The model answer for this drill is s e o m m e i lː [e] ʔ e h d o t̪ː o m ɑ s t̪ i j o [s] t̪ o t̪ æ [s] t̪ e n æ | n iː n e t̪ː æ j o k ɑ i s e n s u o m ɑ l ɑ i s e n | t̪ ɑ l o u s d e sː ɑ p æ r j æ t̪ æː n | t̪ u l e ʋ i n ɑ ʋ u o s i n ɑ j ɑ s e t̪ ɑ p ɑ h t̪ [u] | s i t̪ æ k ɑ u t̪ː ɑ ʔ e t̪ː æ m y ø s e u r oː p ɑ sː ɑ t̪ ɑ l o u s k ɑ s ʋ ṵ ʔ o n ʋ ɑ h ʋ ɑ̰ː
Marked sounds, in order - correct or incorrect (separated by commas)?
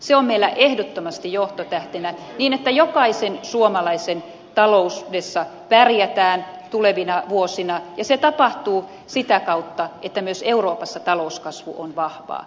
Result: incorrect, incorrect, incorrect, incorrect